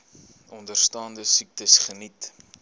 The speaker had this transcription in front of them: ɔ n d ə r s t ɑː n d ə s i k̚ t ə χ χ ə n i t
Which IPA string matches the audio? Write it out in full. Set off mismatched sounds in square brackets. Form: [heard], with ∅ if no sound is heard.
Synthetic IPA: ɔ n d ə r s t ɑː n d ə s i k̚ t ə [s] χ ə n i t